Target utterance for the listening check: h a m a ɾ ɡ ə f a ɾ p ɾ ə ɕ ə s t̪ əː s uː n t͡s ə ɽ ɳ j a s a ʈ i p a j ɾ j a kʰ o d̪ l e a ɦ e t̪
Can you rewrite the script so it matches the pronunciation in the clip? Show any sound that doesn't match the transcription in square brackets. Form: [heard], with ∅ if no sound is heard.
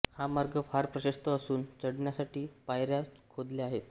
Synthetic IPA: h a m a ɾ ɡ ə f a ɾ p ɾ ə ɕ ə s t̪ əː s uː n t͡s ə ɽ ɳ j a s a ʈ [iː] p a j ɾ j a kʰ o d̪ l e a ɦ e t̪